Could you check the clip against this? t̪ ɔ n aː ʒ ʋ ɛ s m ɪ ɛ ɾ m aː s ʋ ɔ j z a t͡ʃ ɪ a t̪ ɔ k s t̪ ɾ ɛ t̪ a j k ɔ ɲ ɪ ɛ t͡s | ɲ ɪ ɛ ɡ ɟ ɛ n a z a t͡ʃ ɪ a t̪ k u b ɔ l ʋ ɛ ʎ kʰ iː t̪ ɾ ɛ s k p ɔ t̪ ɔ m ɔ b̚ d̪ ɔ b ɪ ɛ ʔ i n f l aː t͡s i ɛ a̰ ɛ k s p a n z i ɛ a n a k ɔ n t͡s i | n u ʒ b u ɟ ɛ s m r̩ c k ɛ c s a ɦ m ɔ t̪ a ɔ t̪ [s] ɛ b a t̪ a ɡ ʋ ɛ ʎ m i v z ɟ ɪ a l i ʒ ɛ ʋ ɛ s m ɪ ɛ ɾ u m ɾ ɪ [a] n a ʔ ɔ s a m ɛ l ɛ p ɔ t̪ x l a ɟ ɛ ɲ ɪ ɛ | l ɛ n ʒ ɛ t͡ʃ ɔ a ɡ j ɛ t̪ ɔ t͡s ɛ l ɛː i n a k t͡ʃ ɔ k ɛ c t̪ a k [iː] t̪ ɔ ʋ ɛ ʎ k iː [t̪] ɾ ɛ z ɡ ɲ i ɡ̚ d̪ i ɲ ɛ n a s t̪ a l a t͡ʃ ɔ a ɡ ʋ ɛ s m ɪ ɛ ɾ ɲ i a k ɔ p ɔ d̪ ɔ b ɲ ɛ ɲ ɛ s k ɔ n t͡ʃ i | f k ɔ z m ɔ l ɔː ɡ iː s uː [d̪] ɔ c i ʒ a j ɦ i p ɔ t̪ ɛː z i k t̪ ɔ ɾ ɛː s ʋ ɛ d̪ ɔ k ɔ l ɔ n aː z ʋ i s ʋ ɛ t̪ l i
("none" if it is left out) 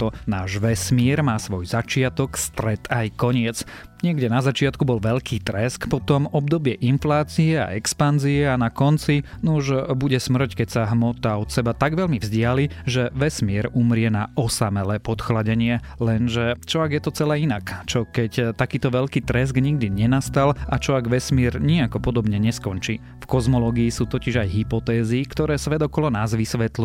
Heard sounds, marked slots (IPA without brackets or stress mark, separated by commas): s, ɛ, iː, t̪, t̪